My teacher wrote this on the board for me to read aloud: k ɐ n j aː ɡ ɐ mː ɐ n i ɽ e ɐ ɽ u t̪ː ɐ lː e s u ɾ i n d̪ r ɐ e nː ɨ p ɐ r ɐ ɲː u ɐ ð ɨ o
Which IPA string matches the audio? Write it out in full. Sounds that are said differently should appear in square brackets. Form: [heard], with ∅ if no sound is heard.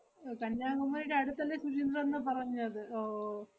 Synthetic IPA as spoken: k ɐ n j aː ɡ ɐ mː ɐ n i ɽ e ɐ ɽ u t̪ː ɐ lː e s u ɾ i n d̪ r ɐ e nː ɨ p ɐ r ɐ ɲː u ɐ ð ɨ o